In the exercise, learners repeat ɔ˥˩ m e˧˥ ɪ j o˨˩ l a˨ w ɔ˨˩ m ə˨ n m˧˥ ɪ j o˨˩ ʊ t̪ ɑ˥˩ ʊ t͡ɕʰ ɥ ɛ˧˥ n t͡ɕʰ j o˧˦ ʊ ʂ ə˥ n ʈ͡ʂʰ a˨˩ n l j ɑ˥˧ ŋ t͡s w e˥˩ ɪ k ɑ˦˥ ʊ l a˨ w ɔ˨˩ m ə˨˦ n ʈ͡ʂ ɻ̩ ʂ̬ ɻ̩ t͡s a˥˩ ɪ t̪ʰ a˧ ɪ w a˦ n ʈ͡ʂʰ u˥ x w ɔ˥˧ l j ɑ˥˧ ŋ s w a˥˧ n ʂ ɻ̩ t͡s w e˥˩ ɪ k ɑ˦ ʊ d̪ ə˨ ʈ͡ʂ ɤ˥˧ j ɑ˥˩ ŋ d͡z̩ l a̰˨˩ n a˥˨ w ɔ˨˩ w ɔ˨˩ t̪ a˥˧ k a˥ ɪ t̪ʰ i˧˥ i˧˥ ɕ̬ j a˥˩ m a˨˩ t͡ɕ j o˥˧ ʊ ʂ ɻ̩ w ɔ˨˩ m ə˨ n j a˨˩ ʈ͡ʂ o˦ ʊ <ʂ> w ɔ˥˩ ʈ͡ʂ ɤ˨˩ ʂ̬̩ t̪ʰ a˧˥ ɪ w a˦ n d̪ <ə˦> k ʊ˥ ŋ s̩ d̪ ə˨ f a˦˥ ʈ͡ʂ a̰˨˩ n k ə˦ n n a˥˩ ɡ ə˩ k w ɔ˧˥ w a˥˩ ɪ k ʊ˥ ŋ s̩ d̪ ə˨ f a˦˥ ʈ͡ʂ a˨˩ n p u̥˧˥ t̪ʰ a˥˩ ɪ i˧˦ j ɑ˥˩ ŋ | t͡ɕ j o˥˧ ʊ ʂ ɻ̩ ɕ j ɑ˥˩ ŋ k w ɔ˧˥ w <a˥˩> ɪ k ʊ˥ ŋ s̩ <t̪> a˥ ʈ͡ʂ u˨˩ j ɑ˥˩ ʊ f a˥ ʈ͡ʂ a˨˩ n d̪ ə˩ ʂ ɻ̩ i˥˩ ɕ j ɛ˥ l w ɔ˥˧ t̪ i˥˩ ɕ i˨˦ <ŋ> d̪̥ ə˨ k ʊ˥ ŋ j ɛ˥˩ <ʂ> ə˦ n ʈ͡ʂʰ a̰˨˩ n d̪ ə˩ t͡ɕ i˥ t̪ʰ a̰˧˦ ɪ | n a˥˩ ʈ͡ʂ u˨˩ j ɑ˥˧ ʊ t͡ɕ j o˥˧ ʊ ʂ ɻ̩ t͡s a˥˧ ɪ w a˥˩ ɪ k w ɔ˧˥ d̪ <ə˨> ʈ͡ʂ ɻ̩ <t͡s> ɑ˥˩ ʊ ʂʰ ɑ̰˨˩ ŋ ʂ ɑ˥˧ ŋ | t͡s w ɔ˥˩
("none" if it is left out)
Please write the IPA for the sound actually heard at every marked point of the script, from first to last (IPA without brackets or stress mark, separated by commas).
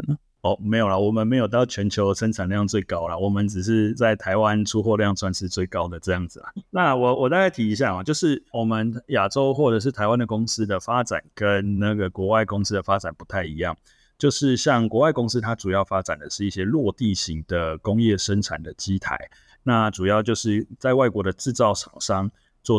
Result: x, ə˨, a˥˩, t̪ʰ, ŋ, ʂ, ə˨, t͡s